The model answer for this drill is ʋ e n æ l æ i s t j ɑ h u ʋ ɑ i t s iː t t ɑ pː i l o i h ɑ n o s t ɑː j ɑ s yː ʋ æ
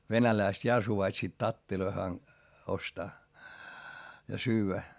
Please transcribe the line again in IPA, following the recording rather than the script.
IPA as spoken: ʋ e n æ l æ i s t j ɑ s u ʋ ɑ i t s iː t t ɑ tː i l o i h ɑ n o s t ɑː j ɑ s yː ʋ æ